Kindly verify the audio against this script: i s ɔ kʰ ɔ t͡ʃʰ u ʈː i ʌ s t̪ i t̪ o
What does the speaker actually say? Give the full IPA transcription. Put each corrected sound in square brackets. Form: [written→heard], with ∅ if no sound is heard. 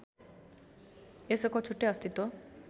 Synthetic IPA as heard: [i→e] s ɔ [kʰ→k] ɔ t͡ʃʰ u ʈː [i→e] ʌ s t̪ i t̪ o